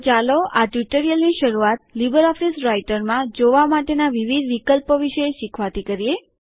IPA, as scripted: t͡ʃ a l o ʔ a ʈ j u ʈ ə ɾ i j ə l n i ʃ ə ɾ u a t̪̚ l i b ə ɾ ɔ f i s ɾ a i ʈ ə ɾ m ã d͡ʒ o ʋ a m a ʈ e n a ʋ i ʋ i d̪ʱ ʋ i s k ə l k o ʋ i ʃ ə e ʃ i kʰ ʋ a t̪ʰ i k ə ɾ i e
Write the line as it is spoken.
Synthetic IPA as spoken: t͡ʃ a l o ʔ a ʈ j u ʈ ə ɾ i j ə l n i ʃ ə ɾ u a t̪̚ l i b ə ɾ ɔ f i s ɾ a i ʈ ə ɾ m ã d͡ʒ o ʋ a m a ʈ e n a ʋ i ʋ i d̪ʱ ʋ i k ə l p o ʋ i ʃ ə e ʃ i kʰ ʋ a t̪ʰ i k ə ɾ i e